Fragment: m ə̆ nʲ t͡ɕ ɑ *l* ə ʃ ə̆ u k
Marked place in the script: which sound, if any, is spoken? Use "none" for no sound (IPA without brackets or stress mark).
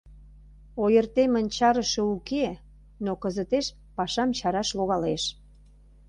ɾ